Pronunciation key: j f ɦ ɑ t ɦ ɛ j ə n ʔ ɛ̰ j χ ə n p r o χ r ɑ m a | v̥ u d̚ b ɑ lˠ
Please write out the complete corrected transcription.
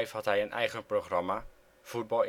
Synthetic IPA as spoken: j f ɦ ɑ t ɦ ɛ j ə n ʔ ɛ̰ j χ ə n p r o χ r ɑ m a | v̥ u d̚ b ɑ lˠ